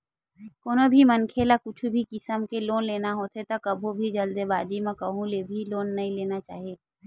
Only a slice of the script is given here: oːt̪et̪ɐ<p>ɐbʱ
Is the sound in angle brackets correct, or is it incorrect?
incorrect